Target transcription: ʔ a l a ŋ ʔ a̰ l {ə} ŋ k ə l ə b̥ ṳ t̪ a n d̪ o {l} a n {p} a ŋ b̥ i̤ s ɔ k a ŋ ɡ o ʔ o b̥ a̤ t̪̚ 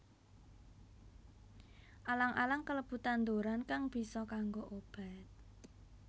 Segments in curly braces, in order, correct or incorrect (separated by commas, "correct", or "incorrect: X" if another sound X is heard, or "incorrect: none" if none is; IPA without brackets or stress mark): incorrect: a, incorrect: ɾ, incorrect: k